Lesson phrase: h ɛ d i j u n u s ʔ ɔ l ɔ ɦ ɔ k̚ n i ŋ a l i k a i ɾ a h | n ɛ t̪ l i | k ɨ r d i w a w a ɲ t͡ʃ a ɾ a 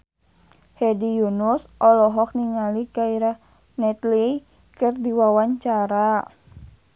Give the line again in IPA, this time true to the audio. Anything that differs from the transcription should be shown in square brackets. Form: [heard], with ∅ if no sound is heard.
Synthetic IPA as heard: h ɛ d i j u n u s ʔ ɔ l ɔ ɦ ɔ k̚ n i ŋ a l i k a i ɾ a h | n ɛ t̪ l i | k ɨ r d i w a w a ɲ t͡ʃ a ɾ a